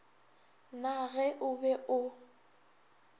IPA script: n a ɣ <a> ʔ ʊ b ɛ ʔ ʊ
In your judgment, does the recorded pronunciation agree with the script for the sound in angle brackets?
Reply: no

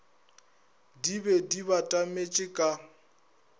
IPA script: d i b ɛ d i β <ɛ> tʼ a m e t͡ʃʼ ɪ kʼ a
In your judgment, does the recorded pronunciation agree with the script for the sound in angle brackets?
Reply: no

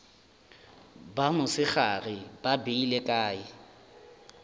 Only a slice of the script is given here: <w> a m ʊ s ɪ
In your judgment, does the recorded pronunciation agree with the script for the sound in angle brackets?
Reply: no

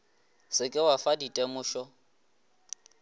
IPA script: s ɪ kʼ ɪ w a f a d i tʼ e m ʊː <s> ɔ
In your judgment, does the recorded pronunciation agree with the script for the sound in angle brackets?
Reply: no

